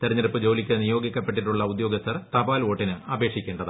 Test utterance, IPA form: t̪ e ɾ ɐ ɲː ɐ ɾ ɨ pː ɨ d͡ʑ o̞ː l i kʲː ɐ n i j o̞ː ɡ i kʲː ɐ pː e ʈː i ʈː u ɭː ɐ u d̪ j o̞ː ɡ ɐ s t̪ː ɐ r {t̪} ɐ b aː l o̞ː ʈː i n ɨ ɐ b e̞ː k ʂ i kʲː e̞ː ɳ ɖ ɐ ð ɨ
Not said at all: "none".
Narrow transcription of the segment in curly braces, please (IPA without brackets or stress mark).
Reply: t̪